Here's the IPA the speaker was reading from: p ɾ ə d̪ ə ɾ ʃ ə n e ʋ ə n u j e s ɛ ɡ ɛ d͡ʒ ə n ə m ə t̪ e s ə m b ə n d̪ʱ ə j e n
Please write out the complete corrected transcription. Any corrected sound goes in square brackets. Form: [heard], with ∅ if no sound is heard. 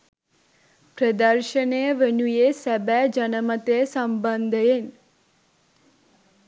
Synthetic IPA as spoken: p ɾ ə d̪ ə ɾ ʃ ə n e ʋ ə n u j e s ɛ [b] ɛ d͡ʒ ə n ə m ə t̪ e s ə m b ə n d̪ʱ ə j e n